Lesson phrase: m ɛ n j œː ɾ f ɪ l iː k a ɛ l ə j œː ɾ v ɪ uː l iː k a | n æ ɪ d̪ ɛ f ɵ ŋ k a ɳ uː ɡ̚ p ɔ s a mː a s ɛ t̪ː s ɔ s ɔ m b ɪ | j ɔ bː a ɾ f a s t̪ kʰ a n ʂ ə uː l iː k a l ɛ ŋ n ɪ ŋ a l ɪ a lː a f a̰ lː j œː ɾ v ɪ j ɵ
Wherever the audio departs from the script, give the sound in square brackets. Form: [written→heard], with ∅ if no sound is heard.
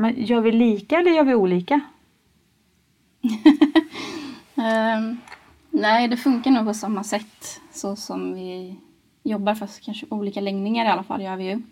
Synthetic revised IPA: m ɛ n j œː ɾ [f→v] ɪ l iː k a ɛ [l→lː] ə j œː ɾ v ɪ uː l iː k a | n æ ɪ d̪ ɛ f ɵ ŋ k a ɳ uː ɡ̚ p ɔ s a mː a s ɛ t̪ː s ɔ s ɔ m [b→v] ɪ | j ɔ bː a ɾ f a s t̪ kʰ a n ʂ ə uː l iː k a l ɛ ŋ n ɪ ŋ a [l→ɾ] ɪ a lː a f a̰ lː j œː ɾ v ɪ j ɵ